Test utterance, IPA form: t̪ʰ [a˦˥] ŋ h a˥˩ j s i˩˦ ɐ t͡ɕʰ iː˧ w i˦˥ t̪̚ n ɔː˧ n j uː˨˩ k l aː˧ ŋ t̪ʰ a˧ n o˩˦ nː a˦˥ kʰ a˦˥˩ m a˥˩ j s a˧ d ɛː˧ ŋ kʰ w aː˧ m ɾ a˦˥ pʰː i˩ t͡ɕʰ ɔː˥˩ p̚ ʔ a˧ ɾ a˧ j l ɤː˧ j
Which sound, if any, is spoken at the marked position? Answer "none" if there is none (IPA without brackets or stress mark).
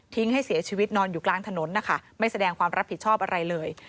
i˦˥